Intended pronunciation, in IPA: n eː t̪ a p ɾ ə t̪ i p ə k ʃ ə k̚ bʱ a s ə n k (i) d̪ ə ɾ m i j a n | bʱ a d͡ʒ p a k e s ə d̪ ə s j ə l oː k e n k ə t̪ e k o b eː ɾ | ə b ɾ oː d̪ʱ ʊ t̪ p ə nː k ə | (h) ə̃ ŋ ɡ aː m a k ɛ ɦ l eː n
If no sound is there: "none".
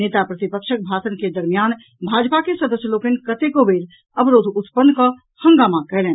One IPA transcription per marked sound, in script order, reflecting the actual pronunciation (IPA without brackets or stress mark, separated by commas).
e, h